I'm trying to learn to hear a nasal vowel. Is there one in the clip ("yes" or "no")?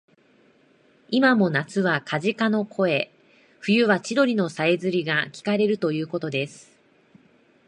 no